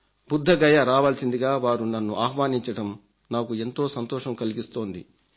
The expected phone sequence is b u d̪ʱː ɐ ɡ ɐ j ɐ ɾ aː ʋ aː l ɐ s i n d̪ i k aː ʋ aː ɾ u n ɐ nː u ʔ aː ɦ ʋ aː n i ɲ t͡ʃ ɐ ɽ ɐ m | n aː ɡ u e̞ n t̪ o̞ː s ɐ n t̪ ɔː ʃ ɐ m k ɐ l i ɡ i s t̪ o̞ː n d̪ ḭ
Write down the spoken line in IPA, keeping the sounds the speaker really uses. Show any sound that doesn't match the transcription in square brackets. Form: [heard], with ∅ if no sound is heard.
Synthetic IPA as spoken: b u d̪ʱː ɐ ɡ ɐ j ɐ ɾ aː ʋ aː l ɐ s i n d̪ i [ɡ] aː ʋ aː ɾ u n ɐ nː u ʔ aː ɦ ʋ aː n i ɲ t͡ʃ ɐ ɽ ɐ m | n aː [k] u e̞ n t̪ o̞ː s ɐ n t̪ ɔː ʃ ɐ m k ɐ l i ɡ i s t̪ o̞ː n d̪ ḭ